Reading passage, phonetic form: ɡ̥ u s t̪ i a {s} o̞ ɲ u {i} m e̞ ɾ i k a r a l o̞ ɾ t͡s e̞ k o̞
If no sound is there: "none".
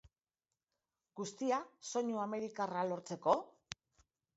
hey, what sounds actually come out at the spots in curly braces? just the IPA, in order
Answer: s, a

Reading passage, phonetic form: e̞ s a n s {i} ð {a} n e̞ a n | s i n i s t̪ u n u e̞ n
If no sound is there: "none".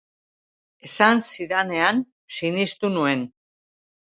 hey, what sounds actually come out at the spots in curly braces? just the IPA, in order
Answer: i, a

